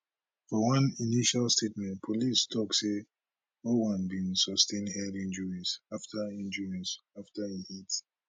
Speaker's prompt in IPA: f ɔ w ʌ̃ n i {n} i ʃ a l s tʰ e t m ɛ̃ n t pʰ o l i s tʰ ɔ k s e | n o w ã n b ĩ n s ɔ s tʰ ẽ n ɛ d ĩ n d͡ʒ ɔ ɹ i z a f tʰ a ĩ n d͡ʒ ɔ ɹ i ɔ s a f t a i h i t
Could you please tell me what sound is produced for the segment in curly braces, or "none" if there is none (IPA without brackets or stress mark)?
n